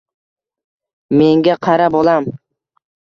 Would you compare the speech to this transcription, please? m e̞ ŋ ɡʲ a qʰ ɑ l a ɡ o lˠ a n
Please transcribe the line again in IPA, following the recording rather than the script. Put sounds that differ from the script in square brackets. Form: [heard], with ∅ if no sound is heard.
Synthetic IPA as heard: m e̞ ŋ ɡʲ a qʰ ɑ [ɾ] a [b] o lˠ a [m]